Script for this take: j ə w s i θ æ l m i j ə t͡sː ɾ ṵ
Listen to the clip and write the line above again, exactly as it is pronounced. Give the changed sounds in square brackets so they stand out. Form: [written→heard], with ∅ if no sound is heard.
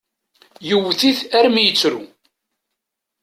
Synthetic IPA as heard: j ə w [s→θ] i θ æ [l→ɾ] m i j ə t͡sː ɾ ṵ